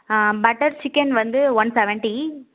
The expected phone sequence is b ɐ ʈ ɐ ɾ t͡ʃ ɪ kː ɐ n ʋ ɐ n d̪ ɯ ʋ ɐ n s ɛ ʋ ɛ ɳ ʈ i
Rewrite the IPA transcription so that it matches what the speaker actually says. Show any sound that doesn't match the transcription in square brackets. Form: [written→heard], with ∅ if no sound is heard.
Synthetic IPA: b ɐ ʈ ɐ ɾ t͡ʃ ɪ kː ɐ n ʋ ɐ n d̪ ɯ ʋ ɐ n s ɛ ʋ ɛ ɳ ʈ i